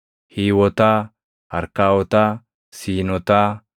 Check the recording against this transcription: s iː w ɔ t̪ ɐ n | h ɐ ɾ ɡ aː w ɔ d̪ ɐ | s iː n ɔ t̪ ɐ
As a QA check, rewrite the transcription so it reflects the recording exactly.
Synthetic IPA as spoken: h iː w ɔ t̪ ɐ | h ɐ ɾ k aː w ɔ t̪ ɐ | s iː n ɔ t̪ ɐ